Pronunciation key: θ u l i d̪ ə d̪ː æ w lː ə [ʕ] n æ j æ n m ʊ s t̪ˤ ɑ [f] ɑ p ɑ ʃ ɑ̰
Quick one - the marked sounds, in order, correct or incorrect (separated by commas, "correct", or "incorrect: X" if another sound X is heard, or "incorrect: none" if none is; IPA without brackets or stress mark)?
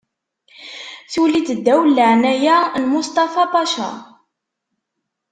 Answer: correct, correct